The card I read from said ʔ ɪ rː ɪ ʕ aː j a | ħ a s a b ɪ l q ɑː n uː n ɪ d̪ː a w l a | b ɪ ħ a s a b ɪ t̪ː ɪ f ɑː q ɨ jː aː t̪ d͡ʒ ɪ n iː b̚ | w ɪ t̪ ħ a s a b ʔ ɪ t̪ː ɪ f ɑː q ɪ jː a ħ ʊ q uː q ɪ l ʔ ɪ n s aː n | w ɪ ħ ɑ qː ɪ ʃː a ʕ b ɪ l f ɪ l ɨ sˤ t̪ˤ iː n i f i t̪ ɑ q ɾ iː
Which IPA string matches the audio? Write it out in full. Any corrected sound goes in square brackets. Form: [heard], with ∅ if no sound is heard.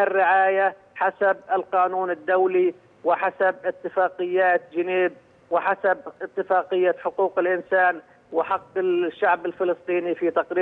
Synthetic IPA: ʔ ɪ rː ɪ ʕ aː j a | ħ a s a b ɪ l q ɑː n uː n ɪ d̪ː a w l [i] | [w] ɪ ħ a s a b ɪ t̪ː ɪ f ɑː q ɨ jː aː t̪ d͡ʒ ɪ n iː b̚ | w ɪ [∅] ħ a s a b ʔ ɪ t̪ː ɪ f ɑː q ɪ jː a ħ ʊ q uː q ɪ l ʔ ɪ n s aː n | w ɪ ħ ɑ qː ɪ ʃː a ʕ b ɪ l f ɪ l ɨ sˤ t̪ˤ iː n i f i t̪ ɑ q ɾ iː

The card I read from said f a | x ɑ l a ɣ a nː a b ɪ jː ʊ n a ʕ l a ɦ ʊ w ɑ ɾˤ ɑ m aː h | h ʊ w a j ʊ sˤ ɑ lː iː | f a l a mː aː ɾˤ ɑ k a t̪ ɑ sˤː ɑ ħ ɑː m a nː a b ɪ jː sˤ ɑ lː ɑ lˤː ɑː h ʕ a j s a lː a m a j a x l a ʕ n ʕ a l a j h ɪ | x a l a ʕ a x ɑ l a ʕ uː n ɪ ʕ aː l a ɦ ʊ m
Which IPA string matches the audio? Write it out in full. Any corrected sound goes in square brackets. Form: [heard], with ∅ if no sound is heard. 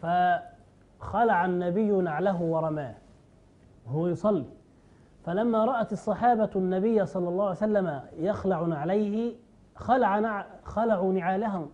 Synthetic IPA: f a | x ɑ l a [ʕ] a nː a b ɪ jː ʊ n a ʕ l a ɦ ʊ w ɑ ɾˤ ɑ m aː h | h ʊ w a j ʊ sˤ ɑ lː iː | f a l a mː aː ɾˤ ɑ [ʔ] a t̪ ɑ sˤː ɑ ħ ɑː [b] a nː a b ɪ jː sˤ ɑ lː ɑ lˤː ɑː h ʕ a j s a lː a m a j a x l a ʕ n ʕ a l a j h ɪ | x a l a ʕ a x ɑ l a ʕ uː n ɪ ʕ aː l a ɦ ʊ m

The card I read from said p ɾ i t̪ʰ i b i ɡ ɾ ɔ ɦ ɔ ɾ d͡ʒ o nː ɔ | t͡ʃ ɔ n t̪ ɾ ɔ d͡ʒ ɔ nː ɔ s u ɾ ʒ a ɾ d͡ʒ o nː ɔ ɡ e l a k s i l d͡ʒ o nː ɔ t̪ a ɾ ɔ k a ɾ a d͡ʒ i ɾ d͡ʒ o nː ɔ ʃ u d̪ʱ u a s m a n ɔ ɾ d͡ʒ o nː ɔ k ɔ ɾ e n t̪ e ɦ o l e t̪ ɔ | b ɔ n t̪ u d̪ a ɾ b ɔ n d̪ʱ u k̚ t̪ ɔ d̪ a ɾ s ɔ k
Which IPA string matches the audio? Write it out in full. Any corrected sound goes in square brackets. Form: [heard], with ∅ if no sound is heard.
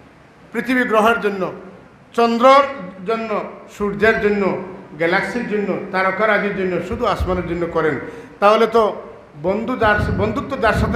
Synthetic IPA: p ɾ i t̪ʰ i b i ɡ ɾ ɔ ɦ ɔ ɾ d͡ʒ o nː ɔ | t͡ʃ ɔ n [d̪] ɾ ɔ d͡ʒ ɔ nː ɔ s u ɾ [d͡ʒ] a ɾ d͡ʒ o nː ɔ ɡ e l a k s i [ɾ] d͡ʒ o nː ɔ t̪ a ɾ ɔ k a ɾ a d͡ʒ i ɾ d͡ʒ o nː ɔ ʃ u d̪ʱ u a s m a n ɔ ɾ d͡ʒ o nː ɔ k ɔ ɾ e n t̪ [a] ɦ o l e t̪ ɔ | b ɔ n [d̪] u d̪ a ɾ b ɔ n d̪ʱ u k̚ t̪ ɔ d̪ a ɾ s ɔ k

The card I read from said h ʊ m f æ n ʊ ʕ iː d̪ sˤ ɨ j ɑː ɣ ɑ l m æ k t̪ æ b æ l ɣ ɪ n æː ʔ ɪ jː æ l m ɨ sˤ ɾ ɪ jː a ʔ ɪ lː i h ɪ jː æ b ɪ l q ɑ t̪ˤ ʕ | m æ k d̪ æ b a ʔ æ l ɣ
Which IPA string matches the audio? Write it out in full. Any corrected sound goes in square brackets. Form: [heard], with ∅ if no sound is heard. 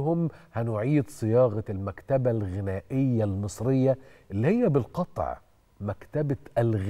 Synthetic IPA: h ʊ m [h] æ n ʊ ʕ iː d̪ sˤ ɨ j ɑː ɣ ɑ l m æ k t̪ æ b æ l ɣ ɪ n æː ʔ ɪ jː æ l m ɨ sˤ ɾ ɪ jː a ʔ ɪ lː i h ɪ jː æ b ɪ l q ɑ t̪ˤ ʕ | m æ k [t̪] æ b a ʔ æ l ɣ

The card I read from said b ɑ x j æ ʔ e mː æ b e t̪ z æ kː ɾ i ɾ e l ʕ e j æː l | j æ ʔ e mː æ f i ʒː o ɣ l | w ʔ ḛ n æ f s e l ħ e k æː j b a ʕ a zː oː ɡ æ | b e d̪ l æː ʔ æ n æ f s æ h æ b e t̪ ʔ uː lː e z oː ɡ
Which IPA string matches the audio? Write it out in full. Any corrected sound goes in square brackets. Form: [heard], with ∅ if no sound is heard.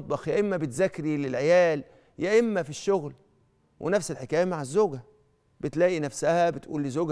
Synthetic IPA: b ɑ x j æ ʔ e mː æ b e t̪ z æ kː ɾ i [l] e l ʕ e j æː l | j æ ʔ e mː æ f i [ʃː] o ɣ l | w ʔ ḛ n æ f s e l ħ e k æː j [m] a ʕ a zː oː ɡ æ | b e [t̪] l æː ʔ [i] n æ f s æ h æ b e t̪ ʔ uː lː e z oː ɡ

